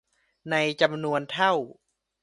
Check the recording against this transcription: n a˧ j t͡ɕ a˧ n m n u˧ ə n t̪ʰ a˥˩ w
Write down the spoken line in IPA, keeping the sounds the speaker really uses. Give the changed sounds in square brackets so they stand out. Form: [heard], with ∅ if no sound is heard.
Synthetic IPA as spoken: n a˧ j t͡ɕ a˧ [∅] m n u˧ ə n t̪ʰ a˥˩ w